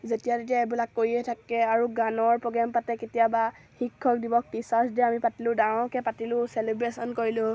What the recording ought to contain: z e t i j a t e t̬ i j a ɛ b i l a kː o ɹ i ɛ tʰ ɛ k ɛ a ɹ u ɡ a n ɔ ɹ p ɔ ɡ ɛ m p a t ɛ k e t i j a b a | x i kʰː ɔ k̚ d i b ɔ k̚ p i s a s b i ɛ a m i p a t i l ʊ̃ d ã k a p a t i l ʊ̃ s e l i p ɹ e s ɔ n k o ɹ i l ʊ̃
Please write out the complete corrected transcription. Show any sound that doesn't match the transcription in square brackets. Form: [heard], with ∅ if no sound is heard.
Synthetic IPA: z e t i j a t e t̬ i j a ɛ b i l a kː o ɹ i ɛ tʰ [a] k ɛ a ɹ u ɡ a n ɔ ɹ p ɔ ɡ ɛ m p a t ɛ k e t i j a b a | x i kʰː ɔ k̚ d i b ɔ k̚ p i s a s [d] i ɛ a m i p a t i l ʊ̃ d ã k [ɛ] p a t i l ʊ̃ s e l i [b] ɹ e s ɔ n k o ɹ i l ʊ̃